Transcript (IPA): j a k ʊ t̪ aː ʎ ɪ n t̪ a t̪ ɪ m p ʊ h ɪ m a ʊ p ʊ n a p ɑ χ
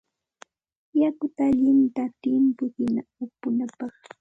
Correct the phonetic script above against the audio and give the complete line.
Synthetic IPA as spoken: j a k ʊ t̪ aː ʎ ɪ n t̪ a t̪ ɪ m p ʊ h ɪ n a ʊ p ʊ n a p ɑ χ

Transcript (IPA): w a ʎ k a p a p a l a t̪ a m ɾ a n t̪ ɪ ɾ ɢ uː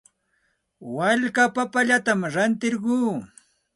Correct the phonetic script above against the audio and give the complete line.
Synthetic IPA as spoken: w a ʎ k a p a p a ʎ a t̪ a m ɾ a n t̪ ɪ ɾ ɢ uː

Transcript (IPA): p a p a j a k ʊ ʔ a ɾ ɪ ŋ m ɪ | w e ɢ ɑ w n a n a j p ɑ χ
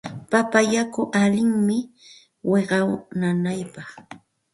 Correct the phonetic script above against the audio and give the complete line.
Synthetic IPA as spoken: p a p a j a k ʊ ʔ a l ɪ ŋ m ɪ | w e ɢ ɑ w n a n a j p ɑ χ

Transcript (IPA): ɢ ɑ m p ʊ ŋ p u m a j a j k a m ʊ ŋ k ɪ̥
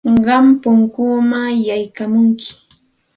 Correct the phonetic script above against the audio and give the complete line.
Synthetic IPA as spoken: ɢ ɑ m p ʊ ŋ k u m a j a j k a m ʊ ŋ k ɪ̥

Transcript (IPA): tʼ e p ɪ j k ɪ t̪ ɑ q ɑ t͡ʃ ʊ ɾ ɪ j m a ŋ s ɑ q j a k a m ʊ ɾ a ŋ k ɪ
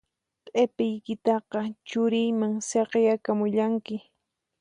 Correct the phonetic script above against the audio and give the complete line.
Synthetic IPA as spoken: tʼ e p ɪ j k ɪ t̪ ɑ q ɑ t͡ʃ ʊ ɾ ɪ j m a ŋ s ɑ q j a k a m ʊ ʎ a ŋ k ɪ

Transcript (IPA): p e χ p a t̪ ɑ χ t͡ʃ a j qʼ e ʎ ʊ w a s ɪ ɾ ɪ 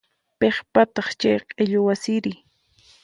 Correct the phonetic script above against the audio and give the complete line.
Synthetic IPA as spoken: p e χ p a t̪ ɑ χ t͡ʃ a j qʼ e ʎ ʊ w a s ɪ ɾ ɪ

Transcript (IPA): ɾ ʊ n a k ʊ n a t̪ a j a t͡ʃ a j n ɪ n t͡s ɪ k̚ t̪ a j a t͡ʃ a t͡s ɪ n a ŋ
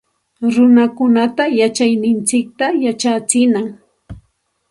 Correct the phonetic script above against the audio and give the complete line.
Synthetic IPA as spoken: ɾ ʊ n a k ʊ n a t̪ a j a t͡ʃ a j n ɪ n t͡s ɪ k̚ t̪ a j a t͡ʃ a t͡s ɪ n a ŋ

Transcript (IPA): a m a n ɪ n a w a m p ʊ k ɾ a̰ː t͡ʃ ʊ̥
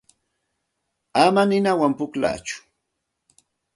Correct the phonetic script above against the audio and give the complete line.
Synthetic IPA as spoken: a m a n ɪ n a w a m p ʊ k l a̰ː t͡ʃ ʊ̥

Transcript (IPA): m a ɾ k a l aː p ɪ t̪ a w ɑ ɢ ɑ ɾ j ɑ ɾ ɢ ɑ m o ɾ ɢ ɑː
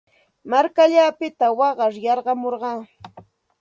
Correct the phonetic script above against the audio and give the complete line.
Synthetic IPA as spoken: m a ɾ k a ʎ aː p ɪ t̪ a w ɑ ɢ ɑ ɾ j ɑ ɾ ɢ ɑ m o ɾ ɢ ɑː

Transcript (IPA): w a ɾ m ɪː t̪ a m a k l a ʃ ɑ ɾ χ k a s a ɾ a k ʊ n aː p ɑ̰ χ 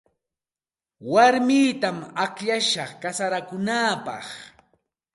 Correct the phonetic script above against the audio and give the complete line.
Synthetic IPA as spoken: w a ɾ m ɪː t̪ a m a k ʎ a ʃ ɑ χ k a s a ɾ a k ʊ n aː p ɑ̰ χ

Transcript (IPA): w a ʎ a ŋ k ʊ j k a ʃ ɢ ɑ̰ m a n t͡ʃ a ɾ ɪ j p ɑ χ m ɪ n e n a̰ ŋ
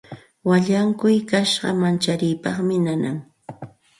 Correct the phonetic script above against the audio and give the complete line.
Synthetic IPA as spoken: w a ʎ a ŋ k ʊ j k a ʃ ɢ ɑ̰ m a n t͡ʃ a ɾ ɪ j p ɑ χ m ɪ n a n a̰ ŋ

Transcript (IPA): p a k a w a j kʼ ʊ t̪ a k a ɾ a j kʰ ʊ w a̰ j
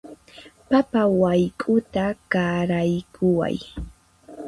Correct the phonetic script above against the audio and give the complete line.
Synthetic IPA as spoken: p a p a w a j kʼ ʊ t̪ a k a ɾ a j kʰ ʊ w a̰ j

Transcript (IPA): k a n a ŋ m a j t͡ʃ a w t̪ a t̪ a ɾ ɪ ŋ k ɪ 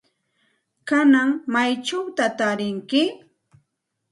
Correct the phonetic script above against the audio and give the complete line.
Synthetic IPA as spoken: k a n a ŋ m a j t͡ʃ a w t̪ a t̪ a ɾ ɪ ŋ k ɪ

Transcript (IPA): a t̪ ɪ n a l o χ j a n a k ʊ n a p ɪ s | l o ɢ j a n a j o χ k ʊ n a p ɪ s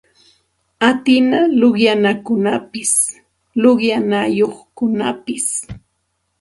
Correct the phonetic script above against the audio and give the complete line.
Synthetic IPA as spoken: a t̪ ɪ n a l o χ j a n a k ʊ n a p ɪ s | l o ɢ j a n a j o χ k ʊ n a p ɪ s

